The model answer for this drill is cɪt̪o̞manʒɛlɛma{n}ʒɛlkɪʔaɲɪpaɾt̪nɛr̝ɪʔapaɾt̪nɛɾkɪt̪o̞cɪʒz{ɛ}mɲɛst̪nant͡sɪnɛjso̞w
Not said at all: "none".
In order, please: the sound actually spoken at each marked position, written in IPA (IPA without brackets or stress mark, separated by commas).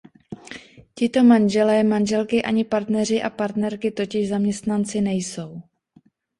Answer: n, a